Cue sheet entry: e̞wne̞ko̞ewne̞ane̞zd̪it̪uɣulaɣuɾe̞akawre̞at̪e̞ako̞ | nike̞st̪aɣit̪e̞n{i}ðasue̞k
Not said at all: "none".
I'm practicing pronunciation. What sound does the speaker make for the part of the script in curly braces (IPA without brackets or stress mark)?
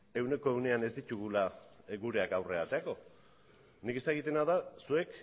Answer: a